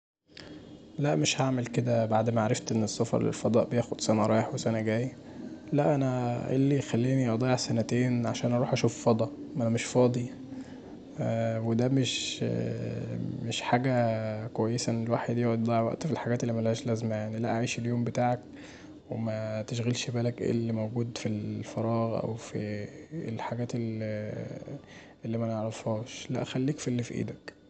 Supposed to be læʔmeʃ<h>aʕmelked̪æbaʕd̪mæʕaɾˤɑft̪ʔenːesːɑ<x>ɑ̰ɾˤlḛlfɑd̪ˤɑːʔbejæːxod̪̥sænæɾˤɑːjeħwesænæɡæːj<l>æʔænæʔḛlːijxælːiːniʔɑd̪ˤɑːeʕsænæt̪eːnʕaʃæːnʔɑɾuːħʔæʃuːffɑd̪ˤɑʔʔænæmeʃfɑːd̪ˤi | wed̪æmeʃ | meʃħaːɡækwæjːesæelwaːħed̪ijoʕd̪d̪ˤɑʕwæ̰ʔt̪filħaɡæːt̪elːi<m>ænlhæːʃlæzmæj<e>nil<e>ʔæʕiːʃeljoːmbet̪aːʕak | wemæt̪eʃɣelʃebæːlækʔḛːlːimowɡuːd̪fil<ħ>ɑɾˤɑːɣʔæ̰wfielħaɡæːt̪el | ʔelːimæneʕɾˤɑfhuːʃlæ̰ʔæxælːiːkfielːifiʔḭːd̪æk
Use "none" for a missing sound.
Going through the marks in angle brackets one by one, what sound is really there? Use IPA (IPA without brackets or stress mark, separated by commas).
h, f, l, m, a, æ, f